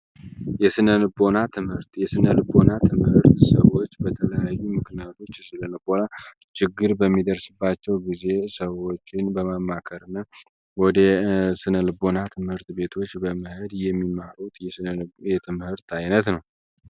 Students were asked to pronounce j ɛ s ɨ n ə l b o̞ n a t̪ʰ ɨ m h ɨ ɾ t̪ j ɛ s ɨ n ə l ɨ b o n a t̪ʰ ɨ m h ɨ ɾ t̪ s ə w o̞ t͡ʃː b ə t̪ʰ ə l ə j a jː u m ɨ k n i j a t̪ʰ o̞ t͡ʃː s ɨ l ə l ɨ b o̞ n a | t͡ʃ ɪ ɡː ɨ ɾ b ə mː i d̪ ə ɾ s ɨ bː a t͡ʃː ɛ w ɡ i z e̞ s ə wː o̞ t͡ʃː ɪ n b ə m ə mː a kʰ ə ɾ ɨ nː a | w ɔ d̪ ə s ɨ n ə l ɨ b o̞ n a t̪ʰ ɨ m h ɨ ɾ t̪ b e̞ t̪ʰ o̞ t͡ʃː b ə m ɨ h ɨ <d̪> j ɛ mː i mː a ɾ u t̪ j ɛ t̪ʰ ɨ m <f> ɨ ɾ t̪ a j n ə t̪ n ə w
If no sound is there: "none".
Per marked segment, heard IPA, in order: d̪, h

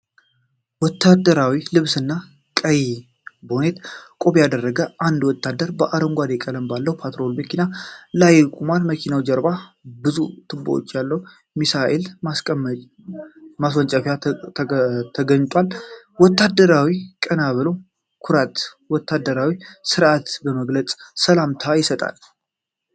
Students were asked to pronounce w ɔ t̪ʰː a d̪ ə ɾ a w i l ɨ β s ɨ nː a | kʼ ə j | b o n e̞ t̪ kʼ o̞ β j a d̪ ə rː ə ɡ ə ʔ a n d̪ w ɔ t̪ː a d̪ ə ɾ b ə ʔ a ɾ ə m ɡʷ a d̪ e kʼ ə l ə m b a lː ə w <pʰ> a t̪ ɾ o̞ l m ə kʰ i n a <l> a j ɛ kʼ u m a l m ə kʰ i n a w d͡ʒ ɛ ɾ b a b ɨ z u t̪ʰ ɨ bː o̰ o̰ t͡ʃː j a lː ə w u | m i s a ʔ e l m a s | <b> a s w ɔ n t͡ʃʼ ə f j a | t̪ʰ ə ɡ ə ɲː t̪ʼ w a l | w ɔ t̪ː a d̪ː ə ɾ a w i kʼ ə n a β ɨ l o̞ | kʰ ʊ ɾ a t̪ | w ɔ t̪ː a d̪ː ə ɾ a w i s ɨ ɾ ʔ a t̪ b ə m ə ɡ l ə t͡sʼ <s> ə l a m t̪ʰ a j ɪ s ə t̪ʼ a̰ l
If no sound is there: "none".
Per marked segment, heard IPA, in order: pʰ, l, m, s

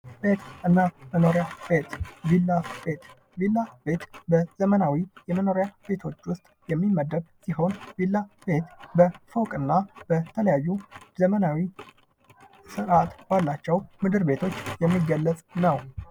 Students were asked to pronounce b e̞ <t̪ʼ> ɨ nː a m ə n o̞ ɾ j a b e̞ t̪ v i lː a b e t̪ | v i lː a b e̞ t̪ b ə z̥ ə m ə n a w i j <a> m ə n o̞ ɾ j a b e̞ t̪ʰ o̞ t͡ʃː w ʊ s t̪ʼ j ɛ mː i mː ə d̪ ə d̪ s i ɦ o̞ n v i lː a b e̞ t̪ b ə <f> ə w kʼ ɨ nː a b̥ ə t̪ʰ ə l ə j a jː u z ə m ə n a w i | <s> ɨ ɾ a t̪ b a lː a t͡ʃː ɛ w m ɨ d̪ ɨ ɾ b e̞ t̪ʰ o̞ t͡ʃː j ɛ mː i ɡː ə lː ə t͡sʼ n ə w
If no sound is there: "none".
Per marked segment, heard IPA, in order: t̪, ɛ, f, s

